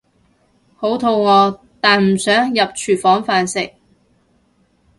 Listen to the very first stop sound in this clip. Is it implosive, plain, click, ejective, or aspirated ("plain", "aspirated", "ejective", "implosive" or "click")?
aspirated